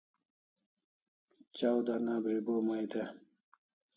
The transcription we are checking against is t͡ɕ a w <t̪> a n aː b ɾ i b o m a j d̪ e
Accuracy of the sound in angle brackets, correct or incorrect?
incorrect